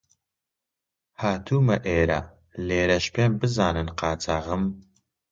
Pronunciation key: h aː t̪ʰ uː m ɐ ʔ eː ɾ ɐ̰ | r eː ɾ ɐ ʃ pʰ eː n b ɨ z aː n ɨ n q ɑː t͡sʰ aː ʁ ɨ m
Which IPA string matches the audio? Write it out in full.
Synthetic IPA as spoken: h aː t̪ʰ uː m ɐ ʔ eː ɾ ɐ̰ | l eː ɾ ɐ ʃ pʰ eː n b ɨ z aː n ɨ n q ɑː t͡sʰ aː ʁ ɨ m